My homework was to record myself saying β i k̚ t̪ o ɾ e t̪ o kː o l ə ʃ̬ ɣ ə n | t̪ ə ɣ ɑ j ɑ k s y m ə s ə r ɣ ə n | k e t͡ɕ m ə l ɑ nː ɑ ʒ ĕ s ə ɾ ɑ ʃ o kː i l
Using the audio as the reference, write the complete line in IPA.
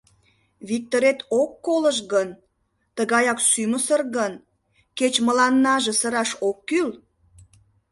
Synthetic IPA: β i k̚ t̪ o ɾ e t̪ o kː o l ə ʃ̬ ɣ ə n | t̪ ə ɣ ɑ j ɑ k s y m ə s ə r ɣ ə n | k e t͡ɕ m ə l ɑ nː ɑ ʒ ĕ s ə ɾ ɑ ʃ o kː y l